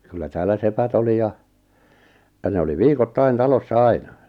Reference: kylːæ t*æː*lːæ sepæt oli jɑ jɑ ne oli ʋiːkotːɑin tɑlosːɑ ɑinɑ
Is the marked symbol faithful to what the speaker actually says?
yes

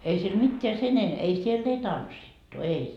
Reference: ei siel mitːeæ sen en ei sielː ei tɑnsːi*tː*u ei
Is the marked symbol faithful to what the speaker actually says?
yes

